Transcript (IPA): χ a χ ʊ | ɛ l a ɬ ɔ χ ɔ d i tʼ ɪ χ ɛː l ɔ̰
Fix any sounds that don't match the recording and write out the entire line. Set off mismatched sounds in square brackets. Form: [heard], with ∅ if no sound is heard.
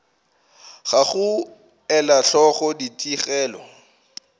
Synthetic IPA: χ a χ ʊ | ɛ l a ɬ ɔ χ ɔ d i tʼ [i] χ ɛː l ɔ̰